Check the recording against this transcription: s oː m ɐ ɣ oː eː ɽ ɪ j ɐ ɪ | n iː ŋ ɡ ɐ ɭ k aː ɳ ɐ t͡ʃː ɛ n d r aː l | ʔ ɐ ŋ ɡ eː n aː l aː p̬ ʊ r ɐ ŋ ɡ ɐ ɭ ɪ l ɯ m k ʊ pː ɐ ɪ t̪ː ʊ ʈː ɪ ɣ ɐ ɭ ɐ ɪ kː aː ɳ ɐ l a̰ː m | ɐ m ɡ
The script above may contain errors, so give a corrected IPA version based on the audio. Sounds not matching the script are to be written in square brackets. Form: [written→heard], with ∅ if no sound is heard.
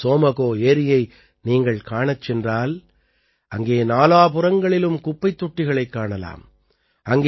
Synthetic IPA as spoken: s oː m ɐ ɣ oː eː [ɽ→ɾ] ɪ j ɐ ɪ | n iː ŋ ɡ ɐ ɭ k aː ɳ ɐ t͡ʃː ɛ n d r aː l | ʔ ɐ ŋ ɡ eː n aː l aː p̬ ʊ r ɐ ŋ ɡ ɐ ɭ ɪ l ɯ m k ʊ pː ɐ ɪ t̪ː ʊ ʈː ɪ ɣ ɐ ɭ ɐ ɪ kː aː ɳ ɐ l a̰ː m | ɐ [m→ŋ] ɡ